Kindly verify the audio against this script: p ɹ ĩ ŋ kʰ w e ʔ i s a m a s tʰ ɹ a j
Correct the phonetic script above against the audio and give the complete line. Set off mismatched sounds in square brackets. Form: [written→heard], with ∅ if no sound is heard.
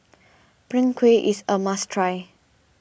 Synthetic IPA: p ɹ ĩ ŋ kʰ w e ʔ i s [a→ə] m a s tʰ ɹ a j